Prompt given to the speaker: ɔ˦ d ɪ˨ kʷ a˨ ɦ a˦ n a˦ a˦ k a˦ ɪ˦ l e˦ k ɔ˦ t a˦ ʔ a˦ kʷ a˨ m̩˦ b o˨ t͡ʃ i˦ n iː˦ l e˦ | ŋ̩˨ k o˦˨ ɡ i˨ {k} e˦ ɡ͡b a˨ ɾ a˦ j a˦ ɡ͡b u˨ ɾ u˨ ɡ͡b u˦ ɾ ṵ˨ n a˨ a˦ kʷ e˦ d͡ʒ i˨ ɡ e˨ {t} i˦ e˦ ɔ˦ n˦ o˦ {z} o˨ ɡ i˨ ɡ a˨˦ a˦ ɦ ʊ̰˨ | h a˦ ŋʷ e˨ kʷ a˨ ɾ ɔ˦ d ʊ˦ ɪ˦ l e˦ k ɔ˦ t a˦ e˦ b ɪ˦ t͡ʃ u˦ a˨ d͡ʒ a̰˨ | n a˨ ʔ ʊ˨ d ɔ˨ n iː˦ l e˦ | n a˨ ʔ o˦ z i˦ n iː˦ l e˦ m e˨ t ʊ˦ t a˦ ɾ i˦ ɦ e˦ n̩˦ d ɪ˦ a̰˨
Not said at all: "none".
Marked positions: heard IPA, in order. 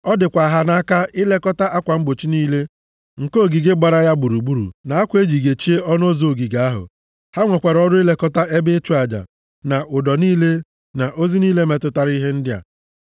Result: ɡ, t͡ʃ, z

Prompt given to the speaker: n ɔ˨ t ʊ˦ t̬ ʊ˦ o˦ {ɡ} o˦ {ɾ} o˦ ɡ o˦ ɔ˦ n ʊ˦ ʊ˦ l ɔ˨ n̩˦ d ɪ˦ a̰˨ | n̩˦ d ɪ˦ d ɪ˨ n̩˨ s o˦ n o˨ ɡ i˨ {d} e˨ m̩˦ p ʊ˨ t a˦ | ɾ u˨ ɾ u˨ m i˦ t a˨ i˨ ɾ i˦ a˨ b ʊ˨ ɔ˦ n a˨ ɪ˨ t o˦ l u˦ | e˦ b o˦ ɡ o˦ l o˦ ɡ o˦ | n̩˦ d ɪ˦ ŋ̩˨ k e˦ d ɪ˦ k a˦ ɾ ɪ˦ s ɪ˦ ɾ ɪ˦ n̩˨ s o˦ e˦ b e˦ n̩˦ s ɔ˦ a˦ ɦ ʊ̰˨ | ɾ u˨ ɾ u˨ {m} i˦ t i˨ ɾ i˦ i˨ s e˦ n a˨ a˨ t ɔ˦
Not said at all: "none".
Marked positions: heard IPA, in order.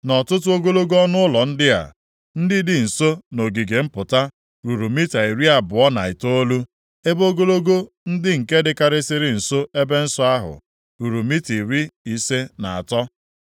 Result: ɡ, l, ɡ, m

